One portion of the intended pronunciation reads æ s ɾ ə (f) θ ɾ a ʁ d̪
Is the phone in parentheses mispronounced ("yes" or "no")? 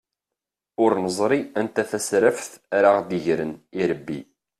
no